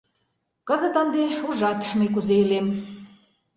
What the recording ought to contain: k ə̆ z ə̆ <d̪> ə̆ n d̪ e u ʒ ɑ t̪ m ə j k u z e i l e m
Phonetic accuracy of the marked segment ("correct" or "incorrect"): incorrect